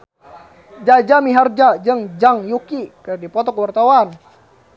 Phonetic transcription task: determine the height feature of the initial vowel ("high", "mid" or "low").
low